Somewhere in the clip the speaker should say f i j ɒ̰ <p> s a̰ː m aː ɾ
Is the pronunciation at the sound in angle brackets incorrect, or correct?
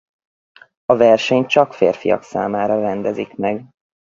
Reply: incorrect: k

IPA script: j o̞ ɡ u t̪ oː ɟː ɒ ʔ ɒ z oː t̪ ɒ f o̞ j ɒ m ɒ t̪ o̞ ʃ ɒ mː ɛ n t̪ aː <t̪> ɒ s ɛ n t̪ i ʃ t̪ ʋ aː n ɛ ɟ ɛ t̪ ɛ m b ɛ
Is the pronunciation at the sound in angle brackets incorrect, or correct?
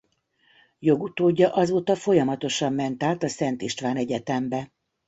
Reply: correct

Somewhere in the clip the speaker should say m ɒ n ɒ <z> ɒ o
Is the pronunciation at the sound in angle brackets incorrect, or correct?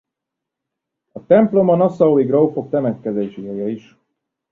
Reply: incorrect: s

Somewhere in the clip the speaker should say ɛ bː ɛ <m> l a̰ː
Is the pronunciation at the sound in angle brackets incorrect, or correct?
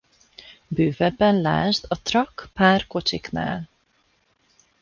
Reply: incorrect: n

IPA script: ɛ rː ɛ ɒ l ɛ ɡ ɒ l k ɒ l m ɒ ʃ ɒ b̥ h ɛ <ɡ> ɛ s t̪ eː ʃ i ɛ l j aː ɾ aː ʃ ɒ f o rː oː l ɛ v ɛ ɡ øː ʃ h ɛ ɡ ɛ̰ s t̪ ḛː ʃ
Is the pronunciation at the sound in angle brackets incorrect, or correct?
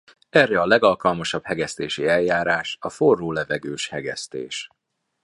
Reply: correct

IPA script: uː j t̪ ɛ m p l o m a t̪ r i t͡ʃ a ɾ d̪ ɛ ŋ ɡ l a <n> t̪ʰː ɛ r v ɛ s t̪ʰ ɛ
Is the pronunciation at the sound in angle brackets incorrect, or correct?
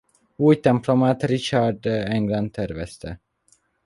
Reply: correct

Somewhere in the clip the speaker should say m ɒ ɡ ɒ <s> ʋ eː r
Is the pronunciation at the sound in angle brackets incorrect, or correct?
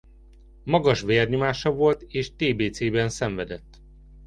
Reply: incorrect: ʃ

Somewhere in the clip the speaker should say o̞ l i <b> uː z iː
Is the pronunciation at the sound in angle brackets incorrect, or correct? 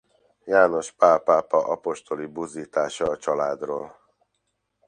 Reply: correct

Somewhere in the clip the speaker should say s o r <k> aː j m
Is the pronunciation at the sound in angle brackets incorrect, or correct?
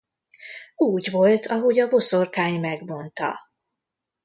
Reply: correct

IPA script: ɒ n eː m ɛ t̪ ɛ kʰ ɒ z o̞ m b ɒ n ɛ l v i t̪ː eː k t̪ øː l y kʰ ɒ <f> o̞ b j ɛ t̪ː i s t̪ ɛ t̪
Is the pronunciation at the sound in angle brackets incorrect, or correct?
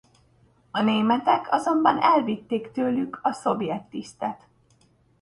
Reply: incorrect: s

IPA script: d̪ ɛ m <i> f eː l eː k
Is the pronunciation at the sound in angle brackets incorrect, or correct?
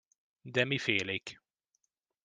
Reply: correct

